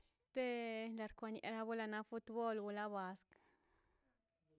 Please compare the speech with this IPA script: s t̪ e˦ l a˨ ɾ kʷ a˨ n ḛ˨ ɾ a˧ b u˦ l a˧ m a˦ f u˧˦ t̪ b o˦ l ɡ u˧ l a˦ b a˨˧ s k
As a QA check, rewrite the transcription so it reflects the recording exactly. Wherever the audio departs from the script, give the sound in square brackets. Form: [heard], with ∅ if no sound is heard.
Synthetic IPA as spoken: s t̪ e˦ l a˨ ɾ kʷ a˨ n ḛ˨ ɾ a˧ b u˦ l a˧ [n] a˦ f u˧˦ t̪ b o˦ l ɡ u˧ l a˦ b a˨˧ s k